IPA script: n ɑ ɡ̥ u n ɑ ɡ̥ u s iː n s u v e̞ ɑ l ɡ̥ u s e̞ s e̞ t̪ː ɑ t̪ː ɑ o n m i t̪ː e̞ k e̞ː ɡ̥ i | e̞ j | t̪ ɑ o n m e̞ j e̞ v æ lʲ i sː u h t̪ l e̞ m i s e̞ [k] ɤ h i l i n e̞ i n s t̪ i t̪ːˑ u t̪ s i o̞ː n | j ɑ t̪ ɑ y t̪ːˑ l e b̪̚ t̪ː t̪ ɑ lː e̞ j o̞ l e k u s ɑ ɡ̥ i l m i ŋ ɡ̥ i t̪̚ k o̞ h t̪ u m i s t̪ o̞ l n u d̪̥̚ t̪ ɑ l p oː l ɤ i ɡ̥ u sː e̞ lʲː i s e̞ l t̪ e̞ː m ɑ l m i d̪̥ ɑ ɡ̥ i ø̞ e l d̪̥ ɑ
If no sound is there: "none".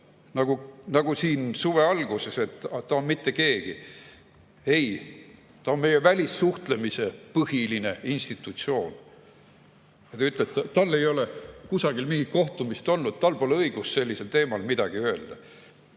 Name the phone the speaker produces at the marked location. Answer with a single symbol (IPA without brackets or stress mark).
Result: p